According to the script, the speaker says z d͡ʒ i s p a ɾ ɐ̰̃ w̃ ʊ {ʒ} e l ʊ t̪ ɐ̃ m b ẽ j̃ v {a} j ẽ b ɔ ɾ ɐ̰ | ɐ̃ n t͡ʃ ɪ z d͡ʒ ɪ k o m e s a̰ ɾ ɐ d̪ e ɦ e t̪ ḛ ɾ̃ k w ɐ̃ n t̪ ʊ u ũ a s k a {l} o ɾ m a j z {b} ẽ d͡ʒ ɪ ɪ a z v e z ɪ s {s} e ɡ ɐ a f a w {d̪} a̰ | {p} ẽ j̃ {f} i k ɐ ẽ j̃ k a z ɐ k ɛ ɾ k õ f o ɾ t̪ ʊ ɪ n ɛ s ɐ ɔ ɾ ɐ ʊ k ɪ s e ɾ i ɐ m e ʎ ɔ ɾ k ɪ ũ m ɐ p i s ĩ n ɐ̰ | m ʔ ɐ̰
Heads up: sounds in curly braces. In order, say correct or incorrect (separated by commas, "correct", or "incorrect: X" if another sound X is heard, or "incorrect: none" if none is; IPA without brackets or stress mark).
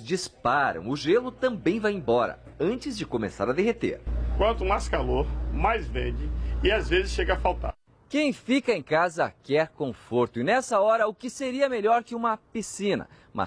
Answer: correct, correct, correct, incorrect: v, incorrect: ʃ, incorrect: t̪, incorrect: k, correct